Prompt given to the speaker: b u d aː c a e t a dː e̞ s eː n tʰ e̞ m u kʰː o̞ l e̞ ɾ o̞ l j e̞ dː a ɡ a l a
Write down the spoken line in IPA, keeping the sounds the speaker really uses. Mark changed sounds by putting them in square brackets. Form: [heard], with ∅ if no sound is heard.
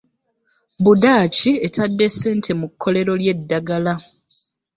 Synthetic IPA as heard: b u d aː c [i] e t a dː e̞ s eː n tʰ e̞ m u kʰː o̞ l e̞ ɾ o̞ l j e̞ dː a ɡ a l a